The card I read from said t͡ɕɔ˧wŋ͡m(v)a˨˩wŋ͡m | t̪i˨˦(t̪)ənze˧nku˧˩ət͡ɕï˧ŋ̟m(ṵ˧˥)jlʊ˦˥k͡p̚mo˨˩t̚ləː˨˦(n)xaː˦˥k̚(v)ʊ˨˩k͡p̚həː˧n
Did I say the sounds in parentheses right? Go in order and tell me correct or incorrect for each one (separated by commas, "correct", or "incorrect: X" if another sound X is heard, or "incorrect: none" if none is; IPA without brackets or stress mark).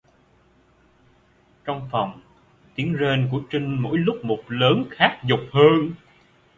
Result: incorrect: f, incorrect: none, incorrect: o̰˧˥, correct, incorrect: z